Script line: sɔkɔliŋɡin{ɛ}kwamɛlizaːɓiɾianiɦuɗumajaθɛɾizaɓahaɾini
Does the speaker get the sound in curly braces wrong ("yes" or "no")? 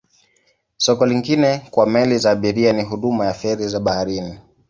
no